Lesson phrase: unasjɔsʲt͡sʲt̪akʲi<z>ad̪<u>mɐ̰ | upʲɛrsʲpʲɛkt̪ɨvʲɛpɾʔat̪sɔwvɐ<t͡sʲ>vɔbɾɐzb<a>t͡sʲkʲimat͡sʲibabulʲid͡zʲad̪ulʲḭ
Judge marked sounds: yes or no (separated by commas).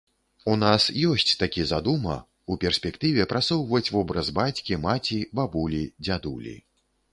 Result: yes, yes, yes, yes